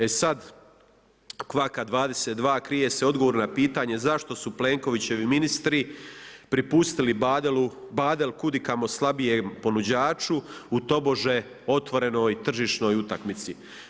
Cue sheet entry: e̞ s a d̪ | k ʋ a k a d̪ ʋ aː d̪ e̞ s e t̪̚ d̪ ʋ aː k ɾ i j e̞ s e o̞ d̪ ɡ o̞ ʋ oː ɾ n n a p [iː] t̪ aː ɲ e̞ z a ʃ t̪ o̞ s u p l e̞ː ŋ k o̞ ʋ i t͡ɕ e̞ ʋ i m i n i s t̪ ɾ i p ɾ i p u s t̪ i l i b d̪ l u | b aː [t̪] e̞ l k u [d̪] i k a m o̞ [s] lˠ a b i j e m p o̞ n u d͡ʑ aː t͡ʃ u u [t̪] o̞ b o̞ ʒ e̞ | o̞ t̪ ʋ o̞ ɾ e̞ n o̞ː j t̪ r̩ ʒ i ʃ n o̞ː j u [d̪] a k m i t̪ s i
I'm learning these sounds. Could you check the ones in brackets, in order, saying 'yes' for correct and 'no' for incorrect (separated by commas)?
yes, no, yes, yes, yes, no